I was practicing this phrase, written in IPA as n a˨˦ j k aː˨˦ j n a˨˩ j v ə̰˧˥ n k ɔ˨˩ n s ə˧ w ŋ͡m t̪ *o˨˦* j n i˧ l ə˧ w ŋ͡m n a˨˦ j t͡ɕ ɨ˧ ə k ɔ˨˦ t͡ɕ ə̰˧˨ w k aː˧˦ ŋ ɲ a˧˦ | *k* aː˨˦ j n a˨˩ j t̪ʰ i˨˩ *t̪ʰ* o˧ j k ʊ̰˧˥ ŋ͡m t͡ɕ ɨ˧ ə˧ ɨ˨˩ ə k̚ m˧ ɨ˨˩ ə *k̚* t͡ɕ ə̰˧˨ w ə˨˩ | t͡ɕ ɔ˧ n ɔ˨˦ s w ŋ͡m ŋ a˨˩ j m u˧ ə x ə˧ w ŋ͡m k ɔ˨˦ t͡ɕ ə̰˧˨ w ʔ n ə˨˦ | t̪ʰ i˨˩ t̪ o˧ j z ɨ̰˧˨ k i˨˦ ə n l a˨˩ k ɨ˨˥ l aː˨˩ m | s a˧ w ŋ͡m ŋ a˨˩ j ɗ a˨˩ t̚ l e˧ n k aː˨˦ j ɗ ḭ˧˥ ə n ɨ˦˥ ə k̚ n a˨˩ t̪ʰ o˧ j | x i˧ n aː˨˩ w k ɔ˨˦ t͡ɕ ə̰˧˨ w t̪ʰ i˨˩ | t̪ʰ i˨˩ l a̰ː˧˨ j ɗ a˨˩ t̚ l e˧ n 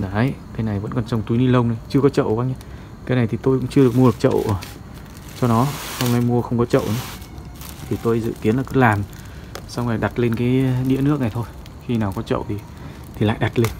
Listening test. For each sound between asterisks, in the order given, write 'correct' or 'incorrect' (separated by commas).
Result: incorrect, correct, incorrect, correct